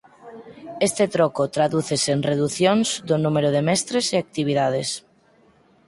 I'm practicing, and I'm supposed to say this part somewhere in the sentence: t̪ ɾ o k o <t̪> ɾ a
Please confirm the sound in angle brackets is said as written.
yes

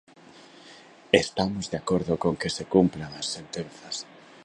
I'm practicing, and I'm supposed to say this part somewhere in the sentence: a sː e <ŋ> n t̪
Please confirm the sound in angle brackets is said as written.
no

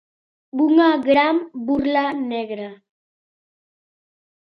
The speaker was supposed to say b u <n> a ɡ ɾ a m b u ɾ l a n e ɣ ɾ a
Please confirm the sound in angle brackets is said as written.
no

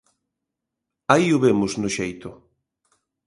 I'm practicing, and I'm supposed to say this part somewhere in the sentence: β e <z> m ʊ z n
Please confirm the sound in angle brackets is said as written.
no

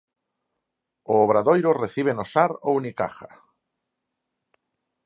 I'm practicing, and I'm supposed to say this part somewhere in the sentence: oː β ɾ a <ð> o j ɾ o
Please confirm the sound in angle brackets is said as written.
yes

